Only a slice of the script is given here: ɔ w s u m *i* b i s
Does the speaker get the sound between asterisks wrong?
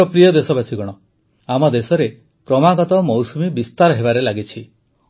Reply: no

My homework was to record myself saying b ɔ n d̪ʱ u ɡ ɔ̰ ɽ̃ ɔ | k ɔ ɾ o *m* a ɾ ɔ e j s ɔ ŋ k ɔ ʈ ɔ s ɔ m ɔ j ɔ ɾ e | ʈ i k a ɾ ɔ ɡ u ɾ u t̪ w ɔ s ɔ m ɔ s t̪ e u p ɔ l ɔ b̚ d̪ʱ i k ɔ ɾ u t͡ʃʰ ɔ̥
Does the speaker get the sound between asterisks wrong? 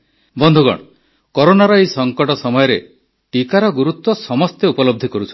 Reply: yes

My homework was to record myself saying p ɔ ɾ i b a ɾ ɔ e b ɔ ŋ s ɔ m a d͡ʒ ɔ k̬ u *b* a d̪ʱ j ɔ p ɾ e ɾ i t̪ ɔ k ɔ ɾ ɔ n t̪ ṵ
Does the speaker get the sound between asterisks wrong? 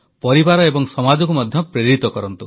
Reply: yes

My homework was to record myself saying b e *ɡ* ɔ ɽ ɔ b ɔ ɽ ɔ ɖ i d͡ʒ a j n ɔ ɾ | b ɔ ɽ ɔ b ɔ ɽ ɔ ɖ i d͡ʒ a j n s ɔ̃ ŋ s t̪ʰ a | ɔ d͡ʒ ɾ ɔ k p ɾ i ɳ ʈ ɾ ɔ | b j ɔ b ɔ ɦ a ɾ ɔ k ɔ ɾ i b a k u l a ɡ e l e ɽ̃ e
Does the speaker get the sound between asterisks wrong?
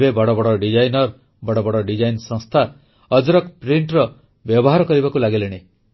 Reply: yes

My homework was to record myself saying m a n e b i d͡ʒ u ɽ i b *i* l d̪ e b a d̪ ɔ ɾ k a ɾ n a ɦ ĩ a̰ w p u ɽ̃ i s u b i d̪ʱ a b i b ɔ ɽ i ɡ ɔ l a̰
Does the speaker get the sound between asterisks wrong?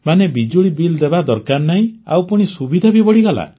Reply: no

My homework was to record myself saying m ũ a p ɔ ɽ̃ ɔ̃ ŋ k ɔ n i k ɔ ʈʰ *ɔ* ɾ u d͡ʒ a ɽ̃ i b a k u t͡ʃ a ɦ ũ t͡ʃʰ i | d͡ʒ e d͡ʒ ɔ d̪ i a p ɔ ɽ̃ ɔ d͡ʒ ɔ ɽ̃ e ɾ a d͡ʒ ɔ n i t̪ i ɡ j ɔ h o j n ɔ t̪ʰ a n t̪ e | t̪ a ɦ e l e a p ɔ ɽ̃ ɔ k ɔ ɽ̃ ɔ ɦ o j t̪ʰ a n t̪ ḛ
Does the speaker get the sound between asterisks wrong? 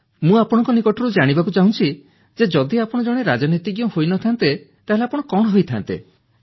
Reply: no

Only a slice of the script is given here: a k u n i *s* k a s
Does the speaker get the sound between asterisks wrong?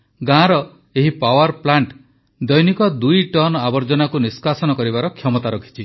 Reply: no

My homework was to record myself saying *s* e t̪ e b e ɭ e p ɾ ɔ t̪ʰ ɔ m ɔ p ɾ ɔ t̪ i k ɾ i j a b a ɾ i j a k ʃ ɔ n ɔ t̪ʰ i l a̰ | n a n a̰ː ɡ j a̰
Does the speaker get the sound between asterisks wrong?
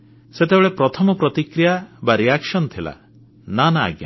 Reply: no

